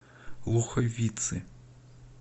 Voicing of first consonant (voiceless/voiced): voiced